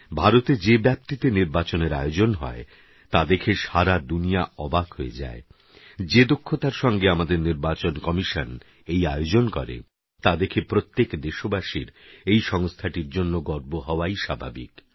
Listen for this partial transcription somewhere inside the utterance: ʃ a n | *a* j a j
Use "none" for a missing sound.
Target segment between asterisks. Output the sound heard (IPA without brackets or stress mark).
e